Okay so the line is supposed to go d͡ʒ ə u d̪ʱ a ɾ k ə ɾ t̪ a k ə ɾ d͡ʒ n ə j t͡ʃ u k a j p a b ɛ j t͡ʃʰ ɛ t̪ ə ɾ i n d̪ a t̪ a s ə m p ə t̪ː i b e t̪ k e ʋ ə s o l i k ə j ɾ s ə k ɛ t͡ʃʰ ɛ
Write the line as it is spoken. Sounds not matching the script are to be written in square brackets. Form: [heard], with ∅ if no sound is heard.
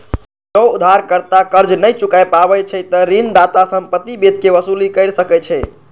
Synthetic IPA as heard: d͡ʒ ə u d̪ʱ a ɾ k ə ɾ t̪ a k ə ɾ d͡ʒ n ə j t͡ʃ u k a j p a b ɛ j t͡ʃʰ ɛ t̪ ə ɾ i n d̪ a t̪ a s ə m p ə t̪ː i b e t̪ k e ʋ ə s [u] l i k ə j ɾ s ə k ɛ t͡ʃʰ ɛ